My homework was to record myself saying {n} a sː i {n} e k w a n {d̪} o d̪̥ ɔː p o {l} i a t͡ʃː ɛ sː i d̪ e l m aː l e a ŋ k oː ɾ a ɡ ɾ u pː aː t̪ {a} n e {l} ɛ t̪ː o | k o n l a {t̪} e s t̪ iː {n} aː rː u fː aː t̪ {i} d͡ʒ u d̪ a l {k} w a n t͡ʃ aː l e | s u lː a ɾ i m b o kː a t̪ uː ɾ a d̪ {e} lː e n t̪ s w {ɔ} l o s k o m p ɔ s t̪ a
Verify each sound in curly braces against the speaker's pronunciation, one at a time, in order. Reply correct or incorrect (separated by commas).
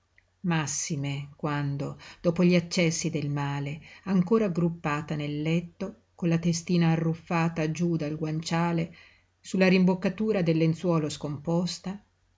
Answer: incorrect, incorrect, correct, incorrect, correct, incorrect, correct, correct, incorrect, incorrect, correct, incorrect